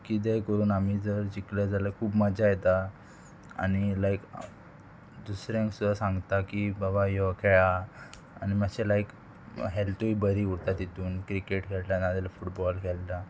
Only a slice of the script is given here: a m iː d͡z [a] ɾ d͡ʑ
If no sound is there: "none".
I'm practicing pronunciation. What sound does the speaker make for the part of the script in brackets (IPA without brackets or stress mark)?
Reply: ə